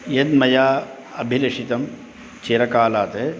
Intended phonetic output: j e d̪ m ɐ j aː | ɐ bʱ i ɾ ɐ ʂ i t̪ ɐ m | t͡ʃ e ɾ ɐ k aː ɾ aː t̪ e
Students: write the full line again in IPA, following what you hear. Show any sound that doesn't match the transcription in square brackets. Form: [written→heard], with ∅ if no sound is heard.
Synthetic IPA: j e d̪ m ɐ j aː | ɐ bʱ i [ɾ→l] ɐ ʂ i t̪ ɐ m | t͡ʃ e ɾ ɐ k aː [ɾ→l] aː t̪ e